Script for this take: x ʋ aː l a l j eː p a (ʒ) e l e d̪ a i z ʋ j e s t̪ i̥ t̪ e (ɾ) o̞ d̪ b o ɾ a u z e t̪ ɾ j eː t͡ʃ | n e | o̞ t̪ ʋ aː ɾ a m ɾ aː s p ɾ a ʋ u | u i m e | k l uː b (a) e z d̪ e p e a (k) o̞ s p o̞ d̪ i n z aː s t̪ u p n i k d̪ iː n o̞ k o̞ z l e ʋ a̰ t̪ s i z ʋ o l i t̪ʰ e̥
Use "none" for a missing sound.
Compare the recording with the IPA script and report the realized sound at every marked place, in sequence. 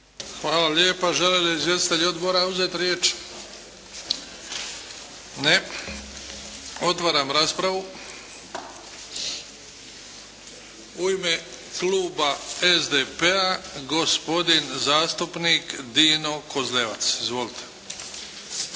ʒ, ʎ, a, ɡ

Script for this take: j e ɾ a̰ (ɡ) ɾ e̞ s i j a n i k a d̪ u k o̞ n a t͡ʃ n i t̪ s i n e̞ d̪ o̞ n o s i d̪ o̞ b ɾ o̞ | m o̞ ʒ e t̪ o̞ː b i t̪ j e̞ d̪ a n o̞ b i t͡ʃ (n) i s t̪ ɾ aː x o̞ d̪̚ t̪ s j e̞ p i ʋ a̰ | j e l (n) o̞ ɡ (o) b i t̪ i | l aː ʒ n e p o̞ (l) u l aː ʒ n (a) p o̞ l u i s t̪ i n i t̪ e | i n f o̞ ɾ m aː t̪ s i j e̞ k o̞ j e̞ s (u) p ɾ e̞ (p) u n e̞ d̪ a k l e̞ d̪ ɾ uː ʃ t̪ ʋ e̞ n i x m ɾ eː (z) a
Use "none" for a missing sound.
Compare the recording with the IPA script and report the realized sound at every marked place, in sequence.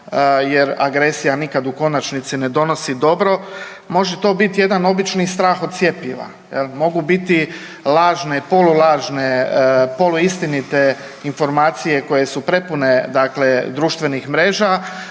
ɡ, n, m, u, l, e, u, p, ʒ

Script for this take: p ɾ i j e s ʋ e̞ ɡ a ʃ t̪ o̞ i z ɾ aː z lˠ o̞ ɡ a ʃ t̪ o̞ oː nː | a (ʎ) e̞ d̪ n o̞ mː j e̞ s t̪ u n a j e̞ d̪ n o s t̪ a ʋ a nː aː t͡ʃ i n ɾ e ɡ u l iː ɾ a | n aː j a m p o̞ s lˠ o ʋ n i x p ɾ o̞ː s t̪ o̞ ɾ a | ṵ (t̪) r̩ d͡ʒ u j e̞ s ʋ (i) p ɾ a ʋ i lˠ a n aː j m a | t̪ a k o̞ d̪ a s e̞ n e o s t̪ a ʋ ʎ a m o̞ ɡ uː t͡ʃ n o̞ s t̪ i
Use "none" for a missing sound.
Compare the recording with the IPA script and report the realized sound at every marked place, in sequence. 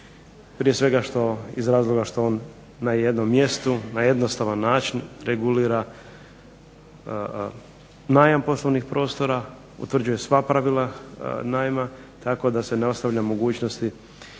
j, t̪, a

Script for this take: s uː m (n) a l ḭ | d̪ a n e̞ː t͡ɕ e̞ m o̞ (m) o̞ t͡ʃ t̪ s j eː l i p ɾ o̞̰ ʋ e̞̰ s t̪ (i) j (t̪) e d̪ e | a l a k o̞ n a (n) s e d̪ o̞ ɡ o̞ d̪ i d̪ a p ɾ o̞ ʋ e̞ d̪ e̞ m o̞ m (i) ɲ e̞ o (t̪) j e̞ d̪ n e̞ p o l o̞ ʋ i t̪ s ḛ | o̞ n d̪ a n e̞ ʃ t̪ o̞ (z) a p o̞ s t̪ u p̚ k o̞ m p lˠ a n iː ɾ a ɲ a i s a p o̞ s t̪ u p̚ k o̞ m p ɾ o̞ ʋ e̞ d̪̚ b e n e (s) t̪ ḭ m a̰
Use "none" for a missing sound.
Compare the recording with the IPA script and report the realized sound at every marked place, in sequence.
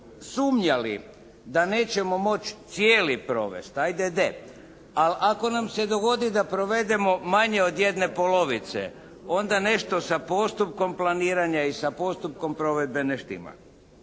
ɲ, m, a, d̪, m, a, d̪, s, ʃ

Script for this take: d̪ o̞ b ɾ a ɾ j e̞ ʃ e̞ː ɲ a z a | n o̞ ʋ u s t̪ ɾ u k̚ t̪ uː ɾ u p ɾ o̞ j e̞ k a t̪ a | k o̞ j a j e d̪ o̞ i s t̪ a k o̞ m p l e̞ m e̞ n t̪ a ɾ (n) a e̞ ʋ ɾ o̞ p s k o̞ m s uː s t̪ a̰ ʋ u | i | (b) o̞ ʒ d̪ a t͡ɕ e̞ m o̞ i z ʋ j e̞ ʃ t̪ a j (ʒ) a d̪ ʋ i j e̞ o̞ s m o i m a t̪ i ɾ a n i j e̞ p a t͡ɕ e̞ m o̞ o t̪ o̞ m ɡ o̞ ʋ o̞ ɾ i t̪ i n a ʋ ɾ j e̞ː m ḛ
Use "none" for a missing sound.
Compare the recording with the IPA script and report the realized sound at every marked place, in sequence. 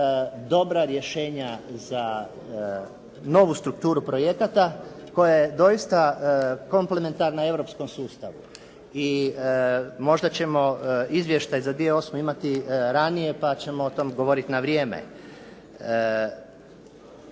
n, m, z

